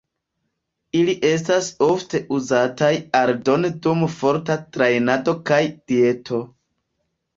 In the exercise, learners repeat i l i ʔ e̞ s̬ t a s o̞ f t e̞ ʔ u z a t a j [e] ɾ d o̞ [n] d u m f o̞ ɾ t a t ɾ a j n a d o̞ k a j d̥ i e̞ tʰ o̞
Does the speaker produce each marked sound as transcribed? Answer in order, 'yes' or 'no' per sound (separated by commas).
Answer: no, yes